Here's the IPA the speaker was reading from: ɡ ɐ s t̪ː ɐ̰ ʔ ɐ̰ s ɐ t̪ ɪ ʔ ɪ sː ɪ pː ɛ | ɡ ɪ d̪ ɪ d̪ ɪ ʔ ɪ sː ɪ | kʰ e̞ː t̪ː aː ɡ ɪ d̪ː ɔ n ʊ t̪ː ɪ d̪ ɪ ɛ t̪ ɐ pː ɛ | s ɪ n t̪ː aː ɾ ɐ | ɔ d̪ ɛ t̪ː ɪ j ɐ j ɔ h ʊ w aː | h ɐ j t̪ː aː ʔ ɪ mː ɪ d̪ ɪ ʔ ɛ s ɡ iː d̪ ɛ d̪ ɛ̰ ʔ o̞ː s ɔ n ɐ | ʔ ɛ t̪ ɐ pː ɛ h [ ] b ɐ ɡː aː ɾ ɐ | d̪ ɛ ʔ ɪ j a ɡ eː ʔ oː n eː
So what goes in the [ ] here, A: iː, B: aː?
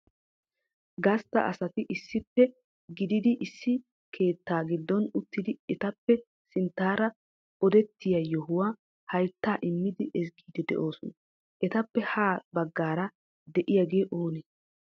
B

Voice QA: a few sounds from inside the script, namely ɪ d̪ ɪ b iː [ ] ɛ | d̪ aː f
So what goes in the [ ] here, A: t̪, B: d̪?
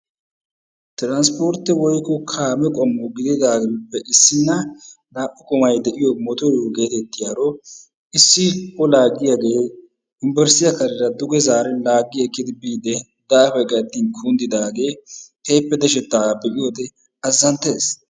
B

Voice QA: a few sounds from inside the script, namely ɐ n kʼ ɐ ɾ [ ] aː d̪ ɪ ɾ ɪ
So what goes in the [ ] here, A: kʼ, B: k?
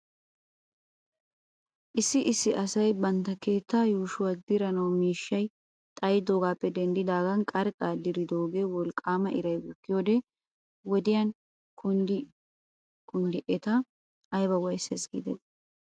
A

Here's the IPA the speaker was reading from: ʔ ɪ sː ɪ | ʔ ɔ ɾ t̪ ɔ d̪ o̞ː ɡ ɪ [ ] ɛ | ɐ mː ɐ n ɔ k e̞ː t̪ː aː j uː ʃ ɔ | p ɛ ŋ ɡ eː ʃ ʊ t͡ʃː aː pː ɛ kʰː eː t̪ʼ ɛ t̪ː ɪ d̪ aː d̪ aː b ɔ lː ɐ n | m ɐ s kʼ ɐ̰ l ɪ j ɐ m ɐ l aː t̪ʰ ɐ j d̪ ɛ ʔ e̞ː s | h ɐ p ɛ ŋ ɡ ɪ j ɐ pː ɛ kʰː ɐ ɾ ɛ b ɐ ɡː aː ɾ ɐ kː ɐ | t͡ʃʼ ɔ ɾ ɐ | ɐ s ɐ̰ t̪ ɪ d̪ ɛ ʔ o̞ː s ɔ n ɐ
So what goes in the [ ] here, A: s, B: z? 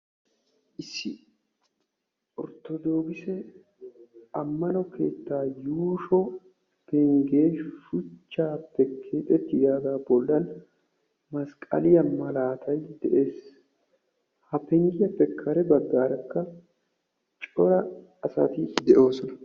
A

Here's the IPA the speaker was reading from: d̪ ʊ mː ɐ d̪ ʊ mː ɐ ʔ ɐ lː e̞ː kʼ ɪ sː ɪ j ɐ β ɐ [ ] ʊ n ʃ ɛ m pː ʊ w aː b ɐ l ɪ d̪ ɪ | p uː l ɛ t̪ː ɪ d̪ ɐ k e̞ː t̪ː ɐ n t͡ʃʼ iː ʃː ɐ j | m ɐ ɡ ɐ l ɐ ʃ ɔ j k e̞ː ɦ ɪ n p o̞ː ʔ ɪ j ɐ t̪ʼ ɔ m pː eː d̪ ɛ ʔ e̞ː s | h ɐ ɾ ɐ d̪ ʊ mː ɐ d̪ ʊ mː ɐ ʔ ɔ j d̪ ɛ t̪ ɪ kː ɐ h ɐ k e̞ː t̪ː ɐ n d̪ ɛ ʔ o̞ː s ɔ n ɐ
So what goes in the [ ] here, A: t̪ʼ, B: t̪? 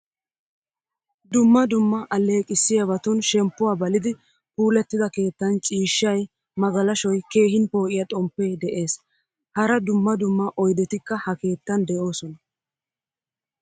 B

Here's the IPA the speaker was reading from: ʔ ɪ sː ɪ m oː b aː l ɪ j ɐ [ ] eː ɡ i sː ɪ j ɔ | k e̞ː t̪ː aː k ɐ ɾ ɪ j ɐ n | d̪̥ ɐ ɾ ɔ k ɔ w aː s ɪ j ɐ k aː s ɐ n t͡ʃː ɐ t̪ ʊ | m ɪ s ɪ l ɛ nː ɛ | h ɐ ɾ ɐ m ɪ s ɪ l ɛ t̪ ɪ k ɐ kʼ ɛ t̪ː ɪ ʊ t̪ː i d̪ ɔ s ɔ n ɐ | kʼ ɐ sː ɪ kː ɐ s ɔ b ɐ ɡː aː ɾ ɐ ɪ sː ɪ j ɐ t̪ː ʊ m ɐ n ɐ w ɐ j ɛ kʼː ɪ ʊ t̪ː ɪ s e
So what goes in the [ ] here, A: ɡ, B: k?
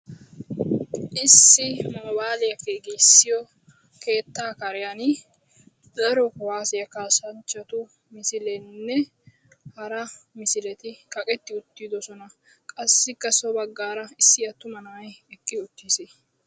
B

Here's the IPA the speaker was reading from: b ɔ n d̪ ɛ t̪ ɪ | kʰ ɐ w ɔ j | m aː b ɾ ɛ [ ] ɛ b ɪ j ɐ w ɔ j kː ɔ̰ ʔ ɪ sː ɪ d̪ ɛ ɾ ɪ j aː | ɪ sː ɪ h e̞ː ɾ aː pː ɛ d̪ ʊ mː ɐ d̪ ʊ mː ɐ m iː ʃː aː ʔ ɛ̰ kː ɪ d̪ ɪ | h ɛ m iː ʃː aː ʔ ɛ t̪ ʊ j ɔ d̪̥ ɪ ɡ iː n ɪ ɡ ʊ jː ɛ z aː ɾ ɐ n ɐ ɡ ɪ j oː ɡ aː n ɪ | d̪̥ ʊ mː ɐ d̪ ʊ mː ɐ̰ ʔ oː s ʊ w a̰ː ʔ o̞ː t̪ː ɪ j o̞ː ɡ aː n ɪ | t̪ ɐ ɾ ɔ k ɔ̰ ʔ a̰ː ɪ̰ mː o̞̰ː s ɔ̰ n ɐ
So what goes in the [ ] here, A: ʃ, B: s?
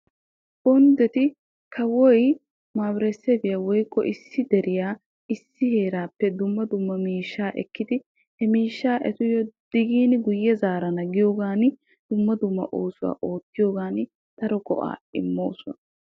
B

